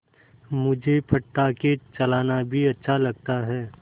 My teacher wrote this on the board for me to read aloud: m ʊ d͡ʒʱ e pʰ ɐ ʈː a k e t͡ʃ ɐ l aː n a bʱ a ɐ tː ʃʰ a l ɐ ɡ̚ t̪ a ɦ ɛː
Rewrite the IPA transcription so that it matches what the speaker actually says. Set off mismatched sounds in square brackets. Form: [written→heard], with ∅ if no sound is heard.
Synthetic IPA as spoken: m ʊ d͡ʒʱ e pʰ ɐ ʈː a k e t͡ʃ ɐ l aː n a bʱ [a→i] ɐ tː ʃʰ a l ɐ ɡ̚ t̪ a ɦ ɛː